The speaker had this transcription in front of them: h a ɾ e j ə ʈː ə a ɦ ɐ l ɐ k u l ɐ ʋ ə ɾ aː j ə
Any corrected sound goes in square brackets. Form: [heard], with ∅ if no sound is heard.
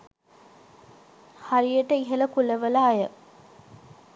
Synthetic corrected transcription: h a ɾ [i] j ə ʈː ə [i] ɦ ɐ l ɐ k u l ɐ ʋ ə [l] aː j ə